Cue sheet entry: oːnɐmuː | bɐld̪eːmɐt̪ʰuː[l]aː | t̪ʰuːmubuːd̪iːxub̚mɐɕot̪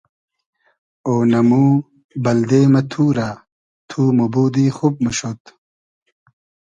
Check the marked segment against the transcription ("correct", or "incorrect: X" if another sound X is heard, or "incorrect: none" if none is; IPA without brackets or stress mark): incorrect: ɾ